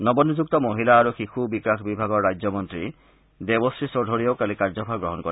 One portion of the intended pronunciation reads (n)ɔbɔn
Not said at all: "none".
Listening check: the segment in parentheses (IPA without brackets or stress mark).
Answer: n